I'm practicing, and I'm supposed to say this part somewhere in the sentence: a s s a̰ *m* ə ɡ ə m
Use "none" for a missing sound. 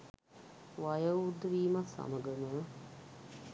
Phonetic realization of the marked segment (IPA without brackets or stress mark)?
m